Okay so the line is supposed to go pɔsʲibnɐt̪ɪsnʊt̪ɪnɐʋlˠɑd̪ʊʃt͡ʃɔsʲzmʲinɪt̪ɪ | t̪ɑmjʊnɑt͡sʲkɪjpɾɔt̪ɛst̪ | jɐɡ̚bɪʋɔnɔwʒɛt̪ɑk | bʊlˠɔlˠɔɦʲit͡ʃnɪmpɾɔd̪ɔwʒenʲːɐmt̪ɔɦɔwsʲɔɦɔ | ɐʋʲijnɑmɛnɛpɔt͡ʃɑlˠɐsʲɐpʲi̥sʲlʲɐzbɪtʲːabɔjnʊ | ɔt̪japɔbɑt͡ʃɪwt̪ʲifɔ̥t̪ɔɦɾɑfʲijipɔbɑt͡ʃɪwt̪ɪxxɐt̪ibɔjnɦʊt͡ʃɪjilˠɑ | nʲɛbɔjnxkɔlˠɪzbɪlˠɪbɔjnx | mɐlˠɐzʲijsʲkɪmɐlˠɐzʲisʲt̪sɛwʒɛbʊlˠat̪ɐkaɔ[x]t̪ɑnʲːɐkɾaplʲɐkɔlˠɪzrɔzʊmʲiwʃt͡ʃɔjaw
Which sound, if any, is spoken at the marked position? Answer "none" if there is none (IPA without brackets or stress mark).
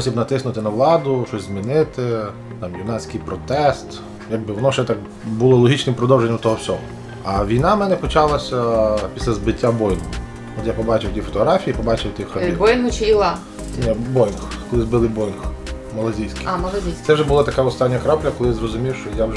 s